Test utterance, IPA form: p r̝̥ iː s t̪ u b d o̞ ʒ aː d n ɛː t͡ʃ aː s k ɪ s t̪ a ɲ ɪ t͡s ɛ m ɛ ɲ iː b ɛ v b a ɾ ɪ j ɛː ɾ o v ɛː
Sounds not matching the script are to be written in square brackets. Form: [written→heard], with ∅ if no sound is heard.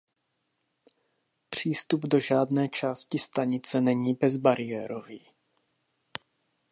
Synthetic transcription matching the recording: p r̝̥ iː s t̪ u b d o̞ ʒ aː d n ɛː t͡ʃ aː s [k→c] ɪ s t̪ a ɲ ɪ t͡s ɛ [m→n] ɛ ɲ iː b ɛ [v→z] b a ɾ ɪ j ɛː ɾ o v [ɛː→iː]